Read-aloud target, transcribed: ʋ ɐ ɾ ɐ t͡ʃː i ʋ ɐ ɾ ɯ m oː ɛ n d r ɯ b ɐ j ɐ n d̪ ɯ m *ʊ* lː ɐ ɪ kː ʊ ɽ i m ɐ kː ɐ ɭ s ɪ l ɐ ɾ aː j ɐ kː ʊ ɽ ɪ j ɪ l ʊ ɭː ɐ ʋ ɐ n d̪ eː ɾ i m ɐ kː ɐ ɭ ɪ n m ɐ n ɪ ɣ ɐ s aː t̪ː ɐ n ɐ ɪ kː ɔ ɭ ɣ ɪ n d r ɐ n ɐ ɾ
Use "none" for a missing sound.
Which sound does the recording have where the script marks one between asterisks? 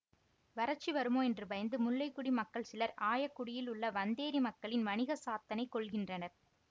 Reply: ʊ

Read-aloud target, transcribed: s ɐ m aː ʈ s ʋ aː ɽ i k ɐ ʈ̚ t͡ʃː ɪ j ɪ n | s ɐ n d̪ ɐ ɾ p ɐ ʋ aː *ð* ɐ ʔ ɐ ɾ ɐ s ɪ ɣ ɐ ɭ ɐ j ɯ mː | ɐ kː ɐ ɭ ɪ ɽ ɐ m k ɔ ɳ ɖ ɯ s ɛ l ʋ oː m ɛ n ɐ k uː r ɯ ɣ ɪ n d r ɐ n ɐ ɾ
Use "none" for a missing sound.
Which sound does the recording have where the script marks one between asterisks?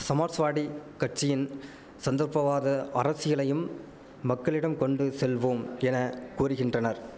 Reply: ð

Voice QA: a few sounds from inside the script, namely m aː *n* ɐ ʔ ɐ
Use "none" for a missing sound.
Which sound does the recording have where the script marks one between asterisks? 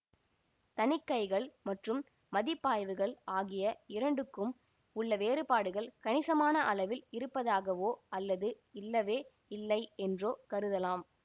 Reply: n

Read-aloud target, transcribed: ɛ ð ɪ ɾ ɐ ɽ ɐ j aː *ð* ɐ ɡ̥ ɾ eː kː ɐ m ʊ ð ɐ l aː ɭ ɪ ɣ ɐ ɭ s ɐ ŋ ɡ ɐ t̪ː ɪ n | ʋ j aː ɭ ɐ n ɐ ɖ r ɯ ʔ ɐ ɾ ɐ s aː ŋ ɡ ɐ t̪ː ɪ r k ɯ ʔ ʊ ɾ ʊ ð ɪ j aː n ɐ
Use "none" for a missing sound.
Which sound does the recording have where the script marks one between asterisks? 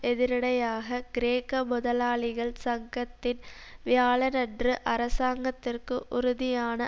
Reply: ɣ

